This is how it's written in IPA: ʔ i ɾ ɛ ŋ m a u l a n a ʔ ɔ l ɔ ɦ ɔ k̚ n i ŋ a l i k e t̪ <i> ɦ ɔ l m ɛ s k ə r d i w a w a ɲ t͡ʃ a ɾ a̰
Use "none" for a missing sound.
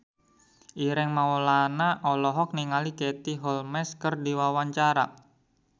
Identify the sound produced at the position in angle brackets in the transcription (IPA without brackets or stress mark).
i